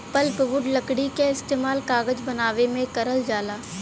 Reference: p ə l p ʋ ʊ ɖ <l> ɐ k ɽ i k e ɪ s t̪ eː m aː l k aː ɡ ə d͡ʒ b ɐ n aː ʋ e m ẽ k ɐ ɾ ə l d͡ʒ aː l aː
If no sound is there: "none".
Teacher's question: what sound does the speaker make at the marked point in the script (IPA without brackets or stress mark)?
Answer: l